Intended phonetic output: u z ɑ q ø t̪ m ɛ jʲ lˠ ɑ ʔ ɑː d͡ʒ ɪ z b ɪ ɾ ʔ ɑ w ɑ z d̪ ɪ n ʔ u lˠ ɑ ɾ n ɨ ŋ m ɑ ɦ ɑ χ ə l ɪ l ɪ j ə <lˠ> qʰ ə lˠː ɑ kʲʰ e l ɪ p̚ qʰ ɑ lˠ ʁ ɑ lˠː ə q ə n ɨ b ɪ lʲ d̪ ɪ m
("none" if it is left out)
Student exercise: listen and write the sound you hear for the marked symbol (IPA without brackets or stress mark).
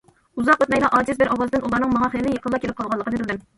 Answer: none